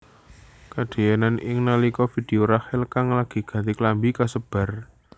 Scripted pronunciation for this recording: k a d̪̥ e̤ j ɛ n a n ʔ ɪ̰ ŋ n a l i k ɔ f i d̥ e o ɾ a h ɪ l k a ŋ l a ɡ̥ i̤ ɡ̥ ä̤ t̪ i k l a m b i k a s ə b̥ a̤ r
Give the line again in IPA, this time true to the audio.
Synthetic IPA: k a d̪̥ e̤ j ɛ n a n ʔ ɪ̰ ŋ n a l i k ɔ f i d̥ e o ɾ a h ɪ l k a ŋ l a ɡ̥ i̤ ɡ̥ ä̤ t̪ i k l a m b i k a s ə b̥ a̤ r